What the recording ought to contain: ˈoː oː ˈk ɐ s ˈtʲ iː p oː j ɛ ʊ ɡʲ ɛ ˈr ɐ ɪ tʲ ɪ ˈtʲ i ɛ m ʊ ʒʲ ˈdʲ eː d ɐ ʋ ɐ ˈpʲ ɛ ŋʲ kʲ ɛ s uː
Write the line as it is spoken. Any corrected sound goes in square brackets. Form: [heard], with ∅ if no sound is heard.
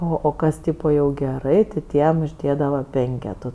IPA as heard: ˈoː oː ˈk ɐ s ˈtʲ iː p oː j ɛ ʊ ɡʲ ɛ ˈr ɐ ɪ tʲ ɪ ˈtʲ i ɛ m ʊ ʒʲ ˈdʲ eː d ɐ ʋ ɐ ˈpʲ ɛ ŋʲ kʲ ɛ [t] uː

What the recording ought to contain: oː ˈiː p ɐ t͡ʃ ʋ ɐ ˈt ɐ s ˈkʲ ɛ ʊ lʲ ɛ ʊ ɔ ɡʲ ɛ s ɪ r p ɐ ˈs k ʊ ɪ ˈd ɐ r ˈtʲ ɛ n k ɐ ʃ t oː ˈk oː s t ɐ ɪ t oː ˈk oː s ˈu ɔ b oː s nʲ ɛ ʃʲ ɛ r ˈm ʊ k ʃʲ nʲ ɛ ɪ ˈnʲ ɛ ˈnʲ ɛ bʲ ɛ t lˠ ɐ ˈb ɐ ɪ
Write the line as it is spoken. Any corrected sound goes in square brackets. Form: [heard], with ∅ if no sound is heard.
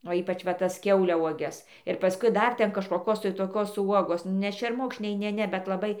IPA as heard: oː ˈiː p ɐ t͡ʃ ʋ ɐ ˈt ɐ s ˈkʲ ɛ ʊ lʲ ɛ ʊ ɔ ɡʲ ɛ s ɪ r p ɐ ˈs k ʊ ɪ ˈd ɐ r ˈtʲ ɛ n k ɐ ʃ [k] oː ˈk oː s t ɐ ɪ t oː ˈk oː s ˈu ɔ [ɡ] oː s nʲ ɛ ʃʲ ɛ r ˈm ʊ k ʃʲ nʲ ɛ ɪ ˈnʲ ɛ ˈnʲ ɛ bʲ ɛ t lˠ ɐ ˈb ɐ ɪ

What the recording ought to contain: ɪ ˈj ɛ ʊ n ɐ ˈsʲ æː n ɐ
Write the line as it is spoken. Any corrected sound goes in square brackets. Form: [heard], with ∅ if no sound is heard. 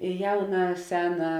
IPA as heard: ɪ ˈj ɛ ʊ n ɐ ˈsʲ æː n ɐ

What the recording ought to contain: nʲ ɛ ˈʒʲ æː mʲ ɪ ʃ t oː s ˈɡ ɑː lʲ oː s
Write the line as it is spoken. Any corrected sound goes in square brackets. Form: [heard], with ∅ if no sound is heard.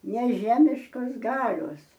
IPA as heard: nʲ ɛ ˈʒʲ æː mʲ ɪ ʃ [k] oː s ˈɡ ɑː lʲ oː s

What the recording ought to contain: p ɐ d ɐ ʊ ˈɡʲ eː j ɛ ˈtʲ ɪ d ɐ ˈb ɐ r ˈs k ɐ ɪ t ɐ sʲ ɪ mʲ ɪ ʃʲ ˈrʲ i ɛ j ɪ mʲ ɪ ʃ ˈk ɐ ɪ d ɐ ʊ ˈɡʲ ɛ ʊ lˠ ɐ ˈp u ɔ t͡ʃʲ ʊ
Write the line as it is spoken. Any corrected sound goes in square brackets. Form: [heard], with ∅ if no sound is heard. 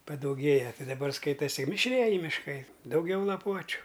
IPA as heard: p ɐ d ɐ ʊ ˈɡʲ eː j ɛ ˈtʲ ɪ d ɐ ˈb ɐ r ˈs k ɐ ɪ t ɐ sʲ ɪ mʲ ɪ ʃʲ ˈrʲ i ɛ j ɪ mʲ ɪ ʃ ˈk ɐ ɪ d ɐ ʊ ˈɡʲ ɛ ʊ lˠ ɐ ˈp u ɔ t͡ʃʲ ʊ

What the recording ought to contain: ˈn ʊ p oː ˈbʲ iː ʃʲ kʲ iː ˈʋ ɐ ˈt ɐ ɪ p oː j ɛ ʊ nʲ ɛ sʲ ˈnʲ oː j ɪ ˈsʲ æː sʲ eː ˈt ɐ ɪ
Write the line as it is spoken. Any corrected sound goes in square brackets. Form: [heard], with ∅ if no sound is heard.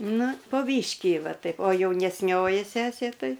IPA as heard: ˈn ʊ p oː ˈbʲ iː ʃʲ kʲ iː ˈʋ ɐ ˈt ɐ ɪ p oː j ɛ ʊ nʲ ɛ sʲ ˈnʲ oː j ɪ ˈsʲ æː sʲ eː ˈt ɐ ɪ

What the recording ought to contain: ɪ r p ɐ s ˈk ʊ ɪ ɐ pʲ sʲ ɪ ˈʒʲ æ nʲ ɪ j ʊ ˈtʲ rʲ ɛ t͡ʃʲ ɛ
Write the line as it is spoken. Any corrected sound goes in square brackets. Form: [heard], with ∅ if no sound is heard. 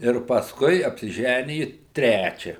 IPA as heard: ɪ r p ɐ s ˈk ʊ ɪ ɐ pʲ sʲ ɪ ˈʒʲ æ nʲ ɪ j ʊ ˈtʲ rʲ [æ] t͡ʃʲ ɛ

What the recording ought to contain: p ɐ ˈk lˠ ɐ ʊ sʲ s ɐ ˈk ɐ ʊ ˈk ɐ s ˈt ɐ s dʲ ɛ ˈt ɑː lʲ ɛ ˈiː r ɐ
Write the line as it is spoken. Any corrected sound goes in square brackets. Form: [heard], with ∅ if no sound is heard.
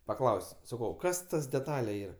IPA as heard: p ɐ ˈk lˠ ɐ ʊ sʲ s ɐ ˈk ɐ ʊ ˈk ɐ s ˈt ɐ s dʲ ɛ ˈt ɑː lʲ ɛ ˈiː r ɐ

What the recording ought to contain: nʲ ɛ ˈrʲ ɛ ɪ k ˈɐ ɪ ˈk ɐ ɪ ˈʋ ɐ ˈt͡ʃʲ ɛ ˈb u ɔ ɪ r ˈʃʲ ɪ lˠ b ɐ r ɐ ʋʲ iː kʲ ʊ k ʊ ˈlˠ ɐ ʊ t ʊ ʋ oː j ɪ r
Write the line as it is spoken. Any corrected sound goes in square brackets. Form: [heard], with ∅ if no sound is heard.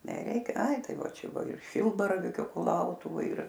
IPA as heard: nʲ ɛ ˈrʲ ɛ ɪ k ˈɐ ɪ [ˈt] ɐ ɪ ˈʋ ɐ ˈt͡ʃʲ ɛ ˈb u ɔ ɪ r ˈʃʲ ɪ lˠ b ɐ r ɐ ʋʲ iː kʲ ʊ k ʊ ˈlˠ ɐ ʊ t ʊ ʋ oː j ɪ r

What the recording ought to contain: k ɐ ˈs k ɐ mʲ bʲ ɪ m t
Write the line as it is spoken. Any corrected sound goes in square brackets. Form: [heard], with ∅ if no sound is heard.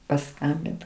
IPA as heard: [p] ɐ ˈs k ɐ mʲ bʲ ɪ [n] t

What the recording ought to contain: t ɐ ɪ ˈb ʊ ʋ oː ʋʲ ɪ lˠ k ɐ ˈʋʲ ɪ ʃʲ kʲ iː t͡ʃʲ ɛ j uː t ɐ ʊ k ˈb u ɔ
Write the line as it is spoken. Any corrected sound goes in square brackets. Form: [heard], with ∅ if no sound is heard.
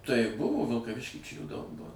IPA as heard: t ɐ ɪ ˈb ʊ ʋ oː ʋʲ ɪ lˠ k ɐ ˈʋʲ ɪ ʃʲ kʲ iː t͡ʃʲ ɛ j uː [d] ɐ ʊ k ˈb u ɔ

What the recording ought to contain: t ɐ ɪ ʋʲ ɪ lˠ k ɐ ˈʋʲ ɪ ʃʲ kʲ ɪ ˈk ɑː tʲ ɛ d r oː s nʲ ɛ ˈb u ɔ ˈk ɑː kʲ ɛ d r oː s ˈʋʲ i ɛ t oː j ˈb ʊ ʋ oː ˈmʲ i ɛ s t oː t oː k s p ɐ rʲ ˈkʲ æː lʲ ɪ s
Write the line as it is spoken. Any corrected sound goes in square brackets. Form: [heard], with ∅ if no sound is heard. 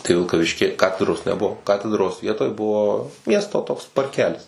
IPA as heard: t ɐ ɪ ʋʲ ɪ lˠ k ɐ ˈʋʲ ɪ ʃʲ kʲ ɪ ˈk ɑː tʲ ɛ d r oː s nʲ ɛ ˈb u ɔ ˈk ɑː [tʲ] ɛ d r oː s ˈʋʲ i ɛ t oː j ˈb ʊ ʋ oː ˈmʲ i ɛ s t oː t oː k s p ɐ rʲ ˈkʲ æː lʲ ɪ s

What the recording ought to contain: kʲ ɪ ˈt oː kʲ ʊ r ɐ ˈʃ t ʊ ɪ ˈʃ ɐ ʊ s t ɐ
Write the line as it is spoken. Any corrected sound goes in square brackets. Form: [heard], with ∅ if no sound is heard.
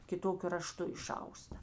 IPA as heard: kʲ ɪ ˈt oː kʲ ʊ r ɐ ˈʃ t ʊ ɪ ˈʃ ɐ ʊ s t ɐ

